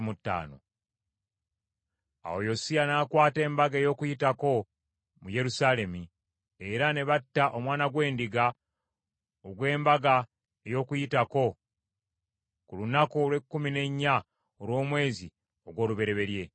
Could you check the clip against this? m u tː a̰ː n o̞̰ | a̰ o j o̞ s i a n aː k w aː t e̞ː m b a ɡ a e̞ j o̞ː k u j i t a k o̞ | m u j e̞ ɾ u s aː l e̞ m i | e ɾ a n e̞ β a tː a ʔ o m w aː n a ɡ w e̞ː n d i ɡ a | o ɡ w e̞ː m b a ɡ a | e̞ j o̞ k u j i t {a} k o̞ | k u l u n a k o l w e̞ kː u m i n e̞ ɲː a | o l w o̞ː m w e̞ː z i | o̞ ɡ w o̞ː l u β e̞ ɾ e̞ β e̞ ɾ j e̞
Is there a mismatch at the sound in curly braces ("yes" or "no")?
no